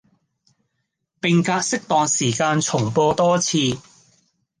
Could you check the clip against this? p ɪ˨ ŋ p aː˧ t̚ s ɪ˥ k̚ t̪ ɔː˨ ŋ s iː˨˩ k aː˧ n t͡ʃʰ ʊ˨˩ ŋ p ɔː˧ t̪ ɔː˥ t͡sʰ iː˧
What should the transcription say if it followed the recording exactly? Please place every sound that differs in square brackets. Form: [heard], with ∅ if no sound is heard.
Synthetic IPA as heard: p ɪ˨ ŋ [k] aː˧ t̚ s ɪ˥ k̚ t̪ ɔː˨ ŋ s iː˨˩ k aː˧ n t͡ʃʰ ʊ˨˩ ŋ p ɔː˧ t̪ ɔː˥ t͡sʰ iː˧

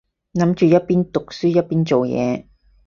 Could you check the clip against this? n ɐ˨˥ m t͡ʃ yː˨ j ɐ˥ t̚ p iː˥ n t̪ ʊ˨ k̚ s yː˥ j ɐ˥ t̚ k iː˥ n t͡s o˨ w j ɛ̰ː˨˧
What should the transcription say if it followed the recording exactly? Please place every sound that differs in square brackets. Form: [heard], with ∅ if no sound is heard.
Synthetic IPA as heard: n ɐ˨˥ m t͡ʃ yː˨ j ɐ˥ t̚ p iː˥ n t̪ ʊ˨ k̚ s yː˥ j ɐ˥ t̚ [p] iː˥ n t͡s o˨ w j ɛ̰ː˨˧

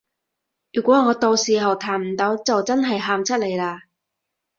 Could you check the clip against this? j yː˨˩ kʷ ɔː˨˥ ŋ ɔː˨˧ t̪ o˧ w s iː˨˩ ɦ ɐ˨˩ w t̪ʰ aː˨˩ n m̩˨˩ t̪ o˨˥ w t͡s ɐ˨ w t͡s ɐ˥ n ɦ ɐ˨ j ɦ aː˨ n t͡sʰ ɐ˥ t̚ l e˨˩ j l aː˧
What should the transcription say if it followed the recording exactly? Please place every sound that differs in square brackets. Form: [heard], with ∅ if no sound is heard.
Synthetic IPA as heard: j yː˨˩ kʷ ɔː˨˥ ŋ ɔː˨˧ t̪ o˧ w s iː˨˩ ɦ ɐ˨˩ w t̪ʰ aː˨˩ n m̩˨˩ t̪ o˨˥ w t͡s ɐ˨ w t͡s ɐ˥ n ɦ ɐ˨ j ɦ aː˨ [m] t͡sʰ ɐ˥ t̚ l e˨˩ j l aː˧

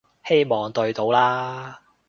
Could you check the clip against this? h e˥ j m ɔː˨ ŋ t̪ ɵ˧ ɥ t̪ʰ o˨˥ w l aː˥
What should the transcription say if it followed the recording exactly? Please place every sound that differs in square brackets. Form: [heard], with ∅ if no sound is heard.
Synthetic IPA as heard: h e˥ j m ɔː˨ ŋ t̪ ɵ˧ ɥ [t̪] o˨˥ w l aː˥

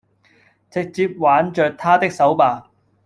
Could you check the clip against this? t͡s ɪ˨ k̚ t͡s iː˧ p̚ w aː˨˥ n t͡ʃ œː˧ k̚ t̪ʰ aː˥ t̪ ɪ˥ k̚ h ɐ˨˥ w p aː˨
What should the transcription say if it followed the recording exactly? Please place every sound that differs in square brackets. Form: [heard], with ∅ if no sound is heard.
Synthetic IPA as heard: t͡s ɪ˨ k̚ t͡s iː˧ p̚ w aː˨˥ n t͡ʃ œː˧ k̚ t̪ʰ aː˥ t̪ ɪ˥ k̚ [s] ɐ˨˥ w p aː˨

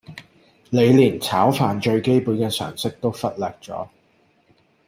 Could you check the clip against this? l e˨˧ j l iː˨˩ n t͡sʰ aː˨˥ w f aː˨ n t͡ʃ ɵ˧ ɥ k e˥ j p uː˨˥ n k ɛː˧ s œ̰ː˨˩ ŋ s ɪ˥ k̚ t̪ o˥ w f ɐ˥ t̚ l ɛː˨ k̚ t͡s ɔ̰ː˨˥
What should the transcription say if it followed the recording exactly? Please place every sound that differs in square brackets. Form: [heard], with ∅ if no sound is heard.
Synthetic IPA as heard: l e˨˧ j l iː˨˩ n t͡sʰ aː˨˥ w f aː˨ n t͡ʃ ɵ˧ ɥ k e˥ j p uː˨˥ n k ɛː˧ s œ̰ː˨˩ ŋ s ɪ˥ k̚ t̪ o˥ w f ɐ˥ t̚ l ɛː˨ k̚ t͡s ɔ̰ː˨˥

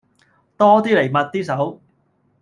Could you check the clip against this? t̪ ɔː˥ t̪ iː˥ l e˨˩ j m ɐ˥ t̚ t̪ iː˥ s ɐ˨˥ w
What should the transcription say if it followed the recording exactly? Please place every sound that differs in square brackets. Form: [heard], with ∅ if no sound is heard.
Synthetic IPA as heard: t̪ ɔː˥ t̪ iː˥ l e˨˩ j m [ɐ˨] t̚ t̪ iː˥ s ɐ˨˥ w

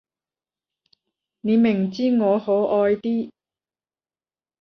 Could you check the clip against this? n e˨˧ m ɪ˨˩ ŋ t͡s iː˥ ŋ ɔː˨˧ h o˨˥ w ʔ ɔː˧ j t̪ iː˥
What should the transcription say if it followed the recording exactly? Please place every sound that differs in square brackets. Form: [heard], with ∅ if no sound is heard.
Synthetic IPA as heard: n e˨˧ m ɪ˨˩ ŋ t͡s iː˥ ŋ ɔː˨˧ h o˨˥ w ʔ ɔː˧ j t̪ iː˥

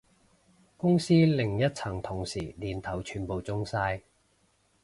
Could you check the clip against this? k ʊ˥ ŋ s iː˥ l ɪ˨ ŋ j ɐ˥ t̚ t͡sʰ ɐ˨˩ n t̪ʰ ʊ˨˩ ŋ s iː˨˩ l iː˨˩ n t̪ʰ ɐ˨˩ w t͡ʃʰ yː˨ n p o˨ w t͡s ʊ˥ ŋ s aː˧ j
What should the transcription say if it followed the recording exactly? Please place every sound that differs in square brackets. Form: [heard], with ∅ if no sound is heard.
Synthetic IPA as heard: k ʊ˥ ŋ s iː˥ l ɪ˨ ŋ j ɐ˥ t̚ t͡sʰ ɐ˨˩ [ŋ] t̪ʰ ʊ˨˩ ŋ s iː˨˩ l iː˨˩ n t̪ʰ ɐ˨˩ w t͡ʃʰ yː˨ n p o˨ w t͡s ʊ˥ ŋ s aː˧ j

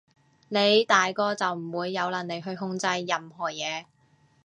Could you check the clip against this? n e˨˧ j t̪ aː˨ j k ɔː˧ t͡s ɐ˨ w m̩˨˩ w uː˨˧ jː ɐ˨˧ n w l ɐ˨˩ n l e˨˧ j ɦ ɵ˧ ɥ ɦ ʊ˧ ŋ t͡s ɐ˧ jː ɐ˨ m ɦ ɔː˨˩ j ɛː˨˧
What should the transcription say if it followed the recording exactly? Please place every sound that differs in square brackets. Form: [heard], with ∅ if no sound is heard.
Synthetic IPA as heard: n e˨˧ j t̪ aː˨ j k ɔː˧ t͡s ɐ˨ w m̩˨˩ w uː˨˧ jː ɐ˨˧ [∅] w l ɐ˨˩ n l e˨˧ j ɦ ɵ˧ ɥ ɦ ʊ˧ ŋ t͡s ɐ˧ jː ɐ˨ m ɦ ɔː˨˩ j ɛː˨˧

